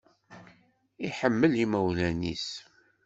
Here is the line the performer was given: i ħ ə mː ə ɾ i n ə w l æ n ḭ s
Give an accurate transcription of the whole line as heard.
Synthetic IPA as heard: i ħ ə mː ə l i m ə w l æ n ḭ s